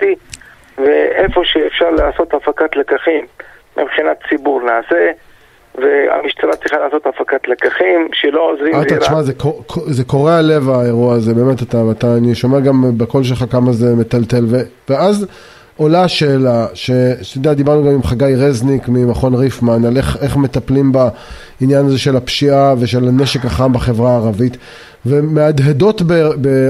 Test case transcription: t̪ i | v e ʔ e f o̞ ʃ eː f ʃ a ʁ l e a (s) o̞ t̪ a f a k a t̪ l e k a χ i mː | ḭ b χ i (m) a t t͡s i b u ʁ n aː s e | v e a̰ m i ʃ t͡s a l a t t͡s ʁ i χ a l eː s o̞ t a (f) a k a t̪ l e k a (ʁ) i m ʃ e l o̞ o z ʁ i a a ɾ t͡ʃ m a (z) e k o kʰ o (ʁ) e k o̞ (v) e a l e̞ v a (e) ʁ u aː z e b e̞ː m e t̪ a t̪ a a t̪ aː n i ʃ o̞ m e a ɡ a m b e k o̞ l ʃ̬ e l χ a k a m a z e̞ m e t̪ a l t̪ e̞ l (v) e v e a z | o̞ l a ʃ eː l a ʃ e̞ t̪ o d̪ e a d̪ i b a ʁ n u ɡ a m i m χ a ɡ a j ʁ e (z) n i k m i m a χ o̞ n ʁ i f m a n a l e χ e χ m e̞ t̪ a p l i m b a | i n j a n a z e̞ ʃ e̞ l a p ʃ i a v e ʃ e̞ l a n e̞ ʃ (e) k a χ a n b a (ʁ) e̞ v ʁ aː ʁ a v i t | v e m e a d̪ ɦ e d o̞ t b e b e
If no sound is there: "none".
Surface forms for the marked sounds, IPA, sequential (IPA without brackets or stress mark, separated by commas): s, n, f, χ, z, z, ʁ, e, v, z, e, χ